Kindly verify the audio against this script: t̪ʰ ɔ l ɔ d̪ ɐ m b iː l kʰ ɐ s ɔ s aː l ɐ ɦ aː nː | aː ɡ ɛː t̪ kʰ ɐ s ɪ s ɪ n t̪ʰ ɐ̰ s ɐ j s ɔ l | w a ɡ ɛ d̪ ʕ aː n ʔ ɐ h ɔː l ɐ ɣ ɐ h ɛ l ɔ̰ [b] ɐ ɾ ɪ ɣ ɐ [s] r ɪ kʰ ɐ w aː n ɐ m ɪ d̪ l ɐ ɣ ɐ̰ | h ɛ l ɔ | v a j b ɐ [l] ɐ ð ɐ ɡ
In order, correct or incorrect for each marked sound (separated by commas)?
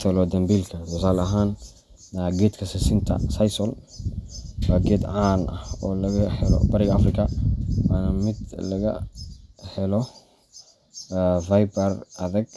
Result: correct, incorrect, incorrect